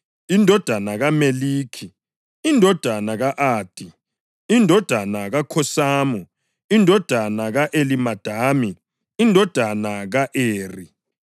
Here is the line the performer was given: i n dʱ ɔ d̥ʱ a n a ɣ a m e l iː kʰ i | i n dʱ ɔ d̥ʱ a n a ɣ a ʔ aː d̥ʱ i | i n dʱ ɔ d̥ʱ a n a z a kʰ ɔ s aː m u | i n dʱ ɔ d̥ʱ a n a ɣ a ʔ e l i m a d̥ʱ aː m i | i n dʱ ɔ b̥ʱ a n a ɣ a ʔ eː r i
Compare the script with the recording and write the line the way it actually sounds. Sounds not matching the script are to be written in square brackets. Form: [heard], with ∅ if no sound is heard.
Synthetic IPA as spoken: i n dʱ ɔ d̥ʱ a n a ɣ a m e l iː kʰ i | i n dʱ ɔ d̥ʱ a n a ɣ a ʔ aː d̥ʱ i | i n dʱ ɔ d̥ʱ a n a [ɣ] a kʰ ɔ s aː m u | i n dʱ ɔ d̥ʱ a n a ɣ a ʔ e l i m a d̥ʱ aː m i | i n dʱ ɔ [d̥ʱ] a n a ɣ a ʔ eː r i

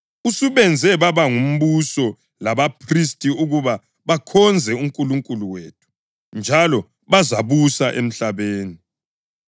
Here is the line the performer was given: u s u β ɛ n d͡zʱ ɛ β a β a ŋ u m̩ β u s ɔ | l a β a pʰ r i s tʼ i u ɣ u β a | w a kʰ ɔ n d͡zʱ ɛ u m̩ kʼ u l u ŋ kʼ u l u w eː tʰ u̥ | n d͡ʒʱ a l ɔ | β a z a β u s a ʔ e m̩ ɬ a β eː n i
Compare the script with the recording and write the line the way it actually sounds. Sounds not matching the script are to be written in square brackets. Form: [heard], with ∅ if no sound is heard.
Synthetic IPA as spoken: u s u β ɛ n d͡zʱ ɛ β a β a ŋ u m̩ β u s ɔ | l a β a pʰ r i s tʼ i u ɣ u β a | [β] a kʰ ɔ n d͡zʱ ɛ u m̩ kʼ u l u ŋ kʼ u l u w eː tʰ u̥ | n d͡ʒʱ a l ɔ | β a z a β u s a ʔ e m̩ ɬ a β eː n i

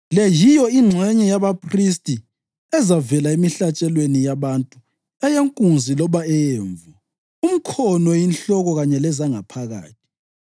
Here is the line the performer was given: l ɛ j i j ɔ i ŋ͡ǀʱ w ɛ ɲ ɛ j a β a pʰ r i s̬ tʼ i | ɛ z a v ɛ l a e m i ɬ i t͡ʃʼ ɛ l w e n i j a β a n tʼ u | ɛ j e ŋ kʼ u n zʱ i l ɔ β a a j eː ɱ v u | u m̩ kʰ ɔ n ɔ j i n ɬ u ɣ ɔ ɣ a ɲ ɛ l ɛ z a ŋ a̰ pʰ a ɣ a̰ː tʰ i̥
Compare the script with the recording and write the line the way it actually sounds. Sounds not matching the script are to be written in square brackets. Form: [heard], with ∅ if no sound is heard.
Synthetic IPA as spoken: l ɛ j i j ɔ i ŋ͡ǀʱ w ɛ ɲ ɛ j a β a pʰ r i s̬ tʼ i | ɛ z a v ɛ l a e m i ɬ [a] t͡ʃʼ ɛ l w e n i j a β a n tʼ u | ɛ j e ŋ kʼ u n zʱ i l ɔ β a [ɛ] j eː ɱ v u | u m̩ kʰ ɔ n ɔ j i n ɬ [ɔ] ɣ ɔ ɣ a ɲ ɛ l ɛ z a ŋ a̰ pʰ a ɣ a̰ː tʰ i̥

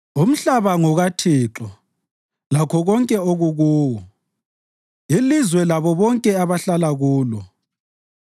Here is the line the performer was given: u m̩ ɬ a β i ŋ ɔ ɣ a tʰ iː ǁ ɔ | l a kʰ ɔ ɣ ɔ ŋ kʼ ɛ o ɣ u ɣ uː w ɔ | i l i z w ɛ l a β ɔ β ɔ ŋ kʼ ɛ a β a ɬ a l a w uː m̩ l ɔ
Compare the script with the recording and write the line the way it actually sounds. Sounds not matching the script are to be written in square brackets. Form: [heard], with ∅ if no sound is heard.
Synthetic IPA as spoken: u m̩ ɬ a β [a] ŋ ɔ ɣ a tʰ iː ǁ ɔ | l a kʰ ɔ ɣ ɔ ŋ kʼ ɛ o ɣ u ɣ uː w ɔ | i l i z w ɛ l a β ɔ β ɔ ŋ kʼ ɛ a β a ɬ a l a [ɣ] uː [∅] l ɔ

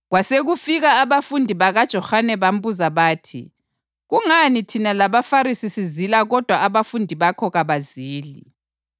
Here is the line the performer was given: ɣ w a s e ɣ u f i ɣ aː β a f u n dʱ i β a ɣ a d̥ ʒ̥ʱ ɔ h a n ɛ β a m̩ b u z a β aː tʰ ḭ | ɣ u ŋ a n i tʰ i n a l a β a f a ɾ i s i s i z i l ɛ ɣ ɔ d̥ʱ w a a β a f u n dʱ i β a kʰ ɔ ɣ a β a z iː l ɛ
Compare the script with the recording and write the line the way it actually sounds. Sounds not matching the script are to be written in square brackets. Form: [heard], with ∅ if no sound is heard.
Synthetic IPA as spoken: ɣ w a s e ɣ u f i ɣ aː β a f u n dʱ i β a ɣ a d̥ ʒ̥ʱ ɔ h a n ɛ β a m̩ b u z a β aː tʰ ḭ | ɣ u ŋ a n i tʰ i n a l a β a f a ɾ i s i s i z i l [a] ɣ ɔ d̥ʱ w a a β a f u n dʱ i β a kʰ ɔ ɣ a β a z iː l [i]

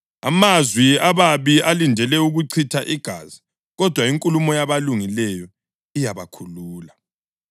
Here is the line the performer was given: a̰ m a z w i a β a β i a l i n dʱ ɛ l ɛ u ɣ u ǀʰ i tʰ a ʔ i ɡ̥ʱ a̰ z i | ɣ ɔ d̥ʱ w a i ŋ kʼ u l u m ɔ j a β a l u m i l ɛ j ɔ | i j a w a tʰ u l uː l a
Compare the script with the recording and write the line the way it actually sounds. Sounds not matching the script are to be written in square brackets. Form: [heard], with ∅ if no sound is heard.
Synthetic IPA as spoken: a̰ m a z w i a β a β i a l i n dʱ ɛ l ɛ u ɣ u ǀʰ i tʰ a ʔ i ɡ̥ʱ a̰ z i | ɣ ɔ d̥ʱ w a i ŋ kʼ u l u m ɔ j a β a l u [ŋ] i l ɛ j ɔ | i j a [β] a [kʰ] u l uː l a

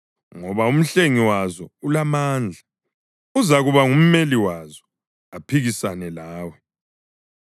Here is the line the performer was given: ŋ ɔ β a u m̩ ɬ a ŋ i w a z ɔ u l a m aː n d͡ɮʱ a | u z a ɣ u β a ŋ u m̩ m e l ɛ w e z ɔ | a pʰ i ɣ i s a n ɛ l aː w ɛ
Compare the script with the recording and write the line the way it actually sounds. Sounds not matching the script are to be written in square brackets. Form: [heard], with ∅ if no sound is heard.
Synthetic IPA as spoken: ŋ ɔ β a u m̩ ɬ [e] ŋ i w a z ɔ u l a m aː n d͡ɮʱ a | u z a ɣ u β a ŋ u m̩ m e l [i] w [a] z ɔ | a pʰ i ɣ i s a n ɛ l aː w ɛ

